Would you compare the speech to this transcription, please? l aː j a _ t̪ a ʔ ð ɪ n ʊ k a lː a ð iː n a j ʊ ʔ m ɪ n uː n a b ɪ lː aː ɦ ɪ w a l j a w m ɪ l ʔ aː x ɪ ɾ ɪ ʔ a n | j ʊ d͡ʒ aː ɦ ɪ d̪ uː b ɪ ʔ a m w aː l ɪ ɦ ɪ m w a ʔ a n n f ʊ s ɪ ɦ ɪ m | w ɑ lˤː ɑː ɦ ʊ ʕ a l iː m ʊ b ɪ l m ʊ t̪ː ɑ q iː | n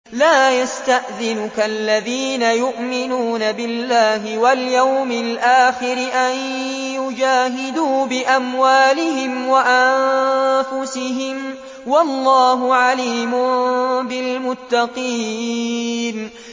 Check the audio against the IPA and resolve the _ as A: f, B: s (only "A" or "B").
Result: B